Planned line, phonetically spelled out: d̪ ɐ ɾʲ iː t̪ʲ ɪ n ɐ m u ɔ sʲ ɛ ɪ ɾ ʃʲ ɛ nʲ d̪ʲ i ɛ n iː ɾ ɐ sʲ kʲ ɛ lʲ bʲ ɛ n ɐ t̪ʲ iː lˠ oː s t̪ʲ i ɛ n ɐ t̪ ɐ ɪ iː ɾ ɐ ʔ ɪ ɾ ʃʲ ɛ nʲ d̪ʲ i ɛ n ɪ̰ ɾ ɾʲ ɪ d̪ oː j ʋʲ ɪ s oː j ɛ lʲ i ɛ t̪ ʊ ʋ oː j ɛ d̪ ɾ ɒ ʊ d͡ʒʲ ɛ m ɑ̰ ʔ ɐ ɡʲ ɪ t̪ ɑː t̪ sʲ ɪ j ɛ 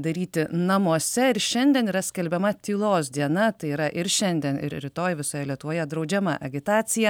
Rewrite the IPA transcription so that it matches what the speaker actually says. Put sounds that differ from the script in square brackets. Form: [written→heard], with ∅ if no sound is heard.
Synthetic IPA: d̪ ɐ ɾʲ iː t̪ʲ ɪ n ɐ m u ɔ sʲ ɛ ɪ ɾ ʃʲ ɛ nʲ d̪ʲ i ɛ n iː ɾ ɐ sʲ kʲ ɛ lʲ bʲ ɛ [n→m] ɐ t̪ʲ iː lˠ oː s [t̪ʲ→d̪ʲ] i ɛ n ɐ t̪ ɐ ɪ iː ɾ ɐ ʔ ɪ ɾ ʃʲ ɛ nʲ d̪ʲ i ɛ n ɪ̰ ɾ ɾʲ ɪ [d̪→t̪] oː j ʋʲ ɪ s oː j ɛ lʲ i ɛ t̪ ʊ ʋ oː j ɛ d̪ ɾ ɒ ʊ d͡ʒʲ ɛ m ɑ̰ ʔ ɐ ɡʲ ɪ t̪ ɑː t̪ sʲ ɪ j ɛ